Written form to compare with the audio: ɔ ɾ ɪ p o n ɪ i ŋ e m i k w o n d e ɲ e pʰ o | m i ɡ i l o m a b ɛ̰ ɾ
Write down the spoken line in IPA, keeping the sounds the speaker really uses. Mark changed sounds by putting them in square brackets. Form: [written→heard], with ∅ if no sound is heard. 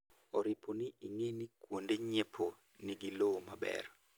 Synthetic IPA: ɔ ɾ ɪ p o n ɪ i ŋ e [m→n] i k w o n d e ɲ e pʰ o | [m→n] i ɡ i l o m a b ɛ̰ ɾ